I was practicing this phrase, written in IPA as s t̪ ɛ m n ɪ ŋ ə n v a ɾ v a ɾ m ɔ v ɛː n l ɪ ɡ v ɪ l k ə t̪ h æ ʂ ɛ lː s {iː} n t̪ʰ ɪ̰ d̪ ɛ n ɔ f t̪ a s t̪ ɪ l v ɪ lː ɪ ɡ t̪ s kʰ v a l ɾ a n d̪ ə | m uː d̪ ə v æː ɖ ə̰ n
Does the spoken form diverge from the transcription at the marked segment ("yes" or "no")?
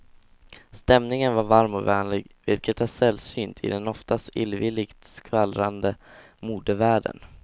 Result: yes